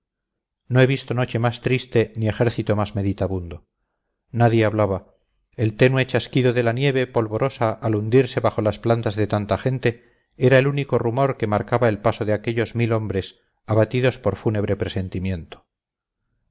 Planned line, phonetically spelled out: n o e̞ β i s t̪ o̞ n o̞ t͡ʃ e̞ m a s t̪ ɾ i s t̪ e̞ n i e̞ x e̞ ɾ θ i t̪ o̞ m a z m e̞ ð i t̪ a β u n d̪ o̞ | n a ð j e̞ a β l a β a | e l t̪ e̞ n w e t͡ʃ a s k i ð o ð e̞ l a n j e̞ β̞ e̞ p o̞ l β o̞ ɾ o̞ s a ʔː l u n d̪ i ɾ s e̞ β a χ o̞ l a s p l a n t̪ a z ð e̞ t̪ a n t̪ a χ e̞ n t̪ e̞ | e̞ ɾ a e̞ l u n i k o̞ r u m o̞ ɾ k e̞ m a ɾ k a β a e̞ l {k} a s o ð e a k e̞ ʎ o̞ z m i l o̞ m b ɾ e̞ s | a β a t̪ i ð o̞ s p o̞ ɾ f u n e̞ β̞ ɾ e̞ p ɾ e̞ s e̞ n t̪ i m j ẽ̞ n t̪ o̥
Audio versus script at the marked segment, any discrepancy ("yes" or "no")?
yes